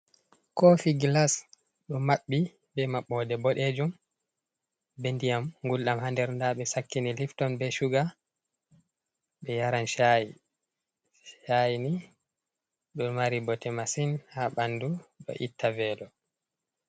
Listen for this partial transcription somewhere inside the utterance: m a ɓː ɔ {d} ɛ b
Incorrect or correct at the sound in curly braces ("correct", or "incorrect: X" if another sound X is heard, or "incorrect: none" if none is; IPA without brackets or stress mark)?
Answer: correct